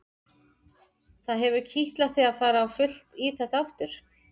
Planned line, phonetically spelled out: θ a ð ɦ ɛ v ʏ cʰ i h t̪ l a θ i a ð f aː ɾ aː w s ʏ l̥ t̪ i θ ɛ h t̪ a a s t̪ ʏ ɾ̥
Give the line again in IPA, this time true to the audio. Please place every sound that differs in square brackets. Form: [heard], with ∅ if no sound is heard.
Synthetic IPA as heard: θ a ð ɦ ɛ v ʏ cʰ i h t̪ l a θ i a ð f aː ɾ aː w [f] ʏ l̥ t̪ i θ ɛ h t̪ a a [f] t̪ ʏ ɾ̥